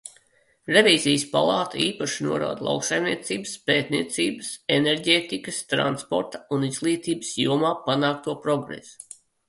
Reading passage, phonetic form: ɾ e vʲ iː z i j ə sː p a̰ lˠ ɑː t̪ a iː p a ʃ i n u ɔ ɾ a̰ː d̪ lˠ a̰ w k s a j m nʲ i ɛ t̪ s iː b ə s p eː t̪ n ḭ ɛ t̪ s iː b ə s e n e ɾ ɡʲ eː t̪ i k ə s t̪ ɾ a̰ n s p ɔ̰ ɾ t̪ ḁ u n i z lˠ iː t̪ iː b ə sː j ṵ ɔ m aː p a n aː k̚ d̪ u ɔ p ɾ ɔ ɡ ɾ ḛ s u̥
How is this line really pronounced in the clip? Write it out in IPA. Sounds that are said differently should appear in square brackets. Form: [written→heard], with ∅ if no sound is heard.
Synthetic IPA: ɾ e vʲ iː z i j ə [sː→s] p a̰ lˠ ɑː t̪ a iː p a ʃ i n u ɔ ɾ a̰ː d̪ lˠ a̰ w k s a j m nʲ i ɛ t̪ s iː b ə s p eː t̪ n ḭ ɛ t̪ s iː b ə s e n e ɾ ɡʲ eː t̪ i k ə s t̪ ɾ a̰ n s p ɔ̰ ɾ t̪ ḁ u n i z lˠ iː t̪ iː b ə [sː→s] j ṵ ɔ m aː p a n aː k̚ [d̪→t̪] u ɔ p ɾ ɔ ɡ ɾ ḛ s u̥

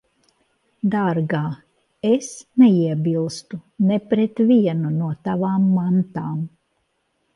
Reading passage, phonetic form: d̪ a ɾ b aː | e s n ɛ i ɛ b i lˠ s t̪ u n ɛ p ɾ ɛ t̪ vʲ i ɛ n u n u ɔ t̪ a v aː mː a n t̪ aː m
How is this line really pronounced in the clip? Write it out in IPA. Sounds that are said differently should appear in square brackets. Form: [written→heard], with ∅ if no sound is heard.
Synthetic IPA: d̪ a ɾ [b→ɡ] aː | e s n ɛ i ɛ b i lˠ s t̪ u n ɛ p ɾ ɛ t̪ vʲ i ɛ n u n u ɔ t̪ a v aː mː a n t̪ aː m

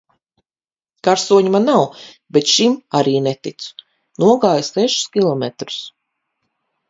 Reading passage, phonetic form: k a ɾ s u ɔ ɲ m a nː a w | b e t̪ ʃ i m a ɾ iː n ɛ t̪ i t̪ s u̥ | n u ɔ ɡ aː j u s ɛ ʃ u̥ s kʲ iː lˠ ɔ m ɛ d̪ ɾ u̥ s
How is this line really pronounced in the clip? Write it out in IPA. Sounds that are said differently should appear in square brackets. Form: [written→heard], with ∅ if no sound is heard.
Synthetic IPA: k a ɾ s u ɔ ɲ m a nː a w | b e t̪ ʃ i m a ɾ iː n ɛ t̪ i t̪ s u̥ | n u ɔ ɡ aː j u s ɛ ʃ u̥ s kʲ [iː→i] lˠ ɔ m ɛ [d̪→t̪] ɾ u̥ s

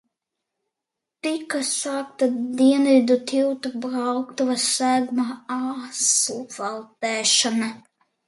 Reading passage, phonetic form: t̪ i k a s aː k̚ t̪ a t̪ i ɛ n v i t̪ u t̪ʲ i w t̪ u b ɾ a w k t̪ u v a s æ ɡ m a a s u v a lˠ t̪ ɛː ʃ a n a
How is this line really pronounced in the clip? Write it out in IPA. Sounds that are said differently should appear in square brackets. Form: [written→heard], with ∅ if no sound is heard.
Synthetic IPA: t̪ i k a s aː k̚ t̪ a [t̪→d̪] i ɛ n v i [t̪→d̪] u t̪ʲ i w t̪ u b ɾ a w k t̪ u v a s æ ɡ m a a s u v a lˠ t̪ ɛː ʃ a n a

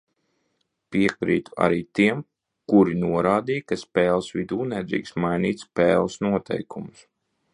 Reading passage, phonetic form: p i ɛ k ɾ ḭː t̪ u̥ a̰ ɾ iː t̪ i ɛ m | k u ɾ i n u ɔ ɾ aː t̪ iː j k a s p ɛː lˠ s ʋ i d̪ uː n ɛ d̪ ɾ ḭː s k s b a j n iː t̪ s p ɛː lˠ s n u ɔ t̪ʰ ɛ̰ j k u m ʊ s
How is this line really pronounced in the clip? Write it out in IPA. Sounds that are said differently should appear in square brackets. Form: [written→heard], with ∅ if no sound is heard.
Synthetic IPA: p i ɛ k ɾ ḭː t̪ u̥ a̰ ɾ iː t̪ i ɛ m | k u ɾ i n u ɔ ɾ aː [t̪→d̪] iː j k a s p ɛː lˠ s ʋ i d̪ uː n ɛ d̪ ɾ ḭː [s→∅] k s [b→m] a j n iː t̪ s p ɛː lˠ s n u ɔ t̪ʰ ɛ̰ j k u m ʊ s

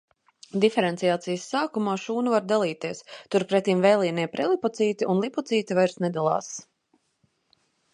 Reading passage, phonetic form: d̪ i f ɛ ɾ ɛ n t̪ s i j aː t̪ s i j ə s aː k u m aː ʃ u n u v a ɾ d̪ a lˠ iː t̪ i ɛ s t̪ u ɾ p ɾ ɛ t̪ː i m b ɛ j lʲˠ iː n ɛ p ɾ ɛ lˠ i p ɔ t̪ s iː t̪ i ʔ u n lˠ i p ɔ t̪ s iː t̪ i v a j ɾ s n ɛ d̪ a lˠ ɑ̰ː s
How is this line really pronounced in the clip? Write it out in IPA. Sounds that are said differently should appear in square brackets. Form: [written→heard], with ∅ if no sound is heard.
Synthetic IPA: d̪ i f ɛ ɾ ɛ n t̪ s i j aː t̪ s i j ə [s→sː] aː k u m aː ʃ [u→uː] n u v a ɾ d̪ a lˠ iː t̪ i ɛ s t̪ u ɾ p ɾ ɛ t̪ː i m [b→v] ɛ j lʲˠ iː n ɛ p ɾ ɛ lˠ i p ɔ t̪ s iː t̪ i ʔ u n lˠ i p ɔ t̪ s iː t̪ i v a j ɾ s n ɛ d̪ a lˠ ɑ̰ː s

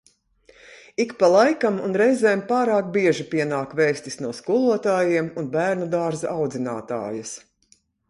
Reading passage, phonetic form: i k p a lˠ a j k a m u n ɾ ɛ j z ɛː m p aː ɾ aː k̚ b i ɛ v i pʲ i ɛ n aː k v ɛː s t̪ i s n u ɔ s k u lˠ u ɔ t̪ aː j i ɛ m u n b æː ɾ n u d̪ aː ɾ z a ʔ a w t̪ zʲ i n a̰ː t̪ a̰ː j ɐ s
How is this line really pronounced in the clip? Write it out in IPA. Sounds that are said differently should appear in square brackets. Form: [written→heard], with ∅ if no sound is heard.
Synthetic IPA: i k p a lˠ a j k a m u n ɾ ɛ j z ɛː m p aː ɾ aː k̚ b i ɛ [v→ʒ] i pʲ i ɛ n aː k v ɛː s t̪ i s n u ɔ s k u lˠ u ɔ t̪ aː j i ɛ m u n b æː ɾ n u d̪ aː ɾ z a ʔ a w [t̪→d̪] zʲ i n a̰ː t̪ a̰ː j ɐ s

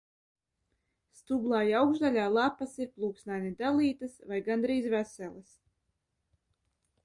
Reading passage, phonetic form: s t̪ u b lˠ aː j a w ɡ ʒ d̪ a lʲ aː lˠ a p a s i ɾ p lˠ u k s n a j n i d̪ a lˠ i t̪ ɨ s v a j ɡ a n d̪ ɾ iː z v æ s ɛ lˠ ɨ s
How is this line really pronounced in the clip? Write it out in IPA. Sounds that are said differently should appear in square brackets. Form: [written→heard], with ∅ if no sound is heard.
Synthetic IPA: s t̪ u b lˠ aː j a w ɡ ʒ d̪ a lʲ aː lˠ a p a s i ɾ p lˠ [u→uː] k s n a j n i d̪ a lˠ [i→iː] t̪ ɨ s v a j ɡ a n d̪ ɾ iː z v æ s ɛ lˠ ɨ s

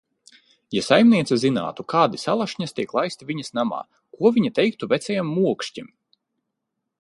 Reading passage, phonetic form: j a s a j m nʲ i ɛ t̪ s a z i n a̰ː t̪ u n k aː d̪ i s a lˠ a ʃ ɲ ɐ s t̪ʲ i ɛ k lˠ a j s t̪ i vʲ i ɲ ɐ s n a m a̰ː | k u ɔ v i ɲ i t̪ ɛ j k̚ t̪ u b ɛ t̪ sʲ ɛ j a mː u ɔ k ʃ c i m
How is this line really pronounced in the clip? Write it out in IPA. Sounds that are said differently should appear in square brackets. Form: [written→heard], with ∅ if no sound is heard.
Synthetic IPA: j a s a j m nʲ i ɛ t̪ s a z i n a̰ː t̪ u [n→∅] k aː d̪ i s a lˠ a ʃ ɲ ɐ s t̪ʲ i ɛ k lˠ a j s t̪ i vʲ i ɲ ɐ s n a m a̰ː | k u ɔ v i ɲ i t̪ ɛ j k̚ t̪ u [b→v] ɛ t̪ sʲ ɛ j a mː u ɔ k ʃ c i m

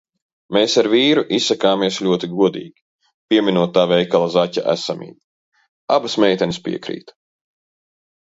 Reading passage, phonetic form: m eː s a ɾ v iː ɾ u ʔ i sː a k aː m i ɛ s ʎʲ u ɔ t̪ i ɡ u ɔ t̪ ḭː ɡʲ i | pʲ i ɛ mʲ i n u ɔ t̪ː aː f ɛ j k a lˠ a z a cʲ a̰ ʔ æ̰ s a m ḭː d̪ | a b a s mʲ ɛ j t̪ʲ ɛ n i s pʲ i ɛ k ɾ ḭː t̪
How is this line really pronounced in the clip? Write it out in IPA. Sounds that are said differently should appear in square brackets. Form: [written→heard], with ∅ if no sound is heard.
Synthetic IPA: m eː s a ɾ v iː ɾ u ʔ i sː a k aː m i ɛ s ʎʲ u ɔ t̪ i ɡ u ɔ [t̪→d̪] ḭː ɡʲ i | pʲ i ɛ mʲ i n u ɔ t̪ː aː [f→v] ɛ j k a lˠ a z a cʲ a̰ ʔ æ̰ s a m ḭː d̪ | a b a s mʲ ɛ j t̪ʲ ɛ n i s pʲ i ɛ k ɾ ḭː t̪

